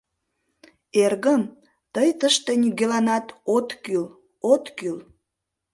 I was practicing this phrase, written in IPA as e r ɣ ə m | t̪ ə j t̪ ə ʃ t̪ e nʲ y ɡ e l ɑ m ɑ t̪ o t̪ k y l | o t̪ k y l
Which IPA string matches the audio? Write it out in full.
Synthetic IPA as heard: e r ɣ ə m | t̪ ə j t̪ ə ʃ t̪ e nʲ y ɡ e l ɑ n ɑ t̪ o t̪ k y l | o t̪ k y l